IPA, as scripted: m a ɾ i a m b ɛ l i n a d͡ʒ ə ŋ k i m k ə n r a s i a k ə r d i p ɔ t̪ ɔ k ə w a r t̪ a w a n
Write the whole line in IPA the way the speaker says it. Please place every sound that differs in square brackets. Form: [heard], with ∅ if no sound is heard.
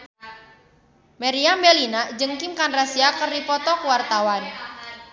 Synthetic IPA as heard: m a ɾ i a m b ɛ l i n a d͡ʒ ə ŋ k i m k [a] n r a s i a k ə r d i p ɔ t̪ ɔ k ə w a r t̪ a w a n